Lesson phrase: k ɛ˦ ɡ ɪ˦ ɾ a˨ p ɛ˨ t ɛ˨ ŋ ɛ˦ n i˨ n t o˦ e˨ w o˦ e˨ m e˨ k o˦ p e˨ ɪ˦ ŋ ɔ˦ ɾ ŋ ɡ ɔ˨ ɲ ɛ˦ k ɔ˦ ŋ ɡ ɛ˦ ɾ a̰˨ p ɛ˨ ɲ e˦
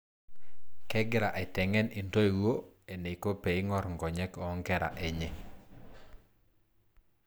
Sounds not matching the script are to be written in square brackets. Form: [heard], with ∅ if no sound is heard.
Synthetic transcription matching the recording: k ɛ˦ ɡ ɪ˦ ɾ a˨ [ʔ] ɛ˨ t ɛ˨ ŋ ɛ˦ n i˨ n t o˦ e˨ w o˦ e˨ [n] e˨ k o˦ p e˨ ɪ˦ ŋ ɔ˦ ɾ ŋ ɡ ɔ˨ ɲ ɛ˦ k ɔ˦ ŋ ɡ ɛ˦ ɾ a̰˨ [ʔ] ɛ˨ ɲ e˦

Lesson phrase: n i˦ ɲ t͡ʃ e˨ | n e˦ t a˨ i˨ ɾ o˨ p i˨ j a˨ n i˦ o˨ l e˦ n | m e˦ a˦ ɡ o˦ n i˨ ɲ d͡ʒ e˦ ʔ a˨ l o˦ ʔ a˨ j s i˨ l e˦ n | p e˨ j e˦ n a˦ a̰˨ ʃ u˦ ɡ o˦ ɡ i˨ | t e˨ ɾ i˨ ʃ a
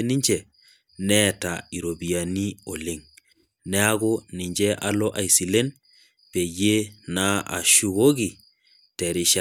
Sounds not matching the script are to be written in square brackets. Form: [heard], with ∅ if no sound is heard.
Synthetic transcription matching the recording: n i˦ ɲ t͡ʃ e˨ | n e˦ t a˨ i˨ ɾ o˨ [b] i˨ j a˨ n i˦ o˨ l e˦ [ŋ] | [n] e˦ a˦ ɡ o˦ n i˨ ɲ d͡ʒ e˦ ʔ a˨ l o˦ ʔ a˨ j s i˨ l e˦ n | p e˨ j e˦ n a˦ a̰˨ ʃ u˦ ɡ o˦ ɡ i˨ | t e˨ ɾ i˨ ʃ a

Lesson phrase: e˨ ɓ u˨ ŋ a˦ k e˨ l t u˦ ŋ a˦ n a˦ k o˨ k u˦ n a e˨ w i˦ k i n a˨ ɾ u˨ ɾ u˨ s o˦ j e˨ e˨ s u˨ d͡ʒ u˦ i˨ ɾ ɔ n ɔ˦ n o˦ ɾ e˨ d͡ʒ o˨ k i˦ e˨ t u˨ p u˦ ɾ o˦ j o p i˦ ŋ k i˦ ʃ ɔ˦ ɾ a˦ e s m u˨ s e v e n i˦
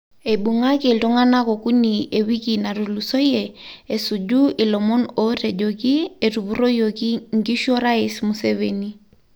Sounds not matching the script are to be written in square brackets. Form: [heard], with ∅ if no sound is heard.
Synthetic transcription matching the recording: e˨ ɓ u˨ ŋ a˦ k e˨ l t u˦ ŋ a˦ n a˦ k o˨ k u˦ n [i] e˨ w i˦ k i n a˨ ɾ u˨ [l] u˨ s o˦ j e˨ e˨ s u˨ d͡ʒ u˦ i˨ [l] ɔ [m] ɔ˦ n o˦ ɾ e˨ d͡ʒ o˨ k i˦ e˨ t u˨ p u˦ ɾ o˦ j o [k] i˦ ŋ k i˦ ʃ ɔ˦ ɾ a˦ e s m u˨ s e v e n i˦

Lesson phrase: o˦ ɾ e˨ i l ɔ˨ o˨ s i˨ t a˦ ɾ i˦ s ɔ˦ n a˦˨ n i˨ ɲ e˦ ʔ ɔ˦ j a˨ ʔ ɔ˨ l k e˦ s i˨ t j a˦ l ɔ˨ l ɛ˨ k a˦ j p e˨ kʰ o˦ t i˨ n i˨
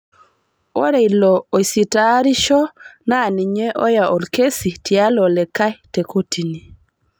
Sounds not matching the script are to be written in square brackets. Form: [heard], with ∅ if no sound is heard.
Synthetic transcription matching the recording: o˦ ɾ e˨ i l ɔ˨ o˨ s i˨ t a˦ ɾ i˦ [ʃ] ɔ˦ n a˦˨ n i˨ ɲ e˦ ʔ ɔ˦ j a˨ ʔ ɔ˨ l k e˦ s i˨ t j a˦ l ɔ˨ l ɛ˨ k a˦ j [t] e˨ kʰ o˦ t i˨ n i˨

